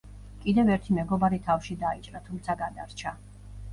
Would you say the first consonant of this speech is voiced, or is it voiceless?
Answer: voiceless